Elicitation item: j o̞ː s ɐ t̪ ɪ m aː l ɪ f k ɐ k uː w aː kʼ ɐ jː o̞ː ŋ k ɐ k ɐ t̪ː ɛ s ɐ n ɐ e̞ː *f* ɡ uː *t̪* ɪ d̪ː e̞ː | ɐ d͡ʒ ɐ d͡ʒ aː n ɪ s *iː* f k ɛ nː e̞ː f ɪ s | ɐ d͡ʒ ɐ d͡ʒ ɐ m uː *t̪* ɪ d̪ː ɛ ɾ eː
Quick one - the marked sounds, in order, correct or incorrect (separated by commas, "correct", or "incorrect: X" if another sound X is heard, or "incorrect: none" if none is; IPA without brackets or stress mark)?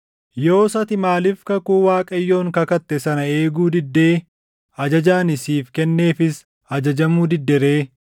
incorrect: none, incorrect: d̪, correct, incorrect: d̪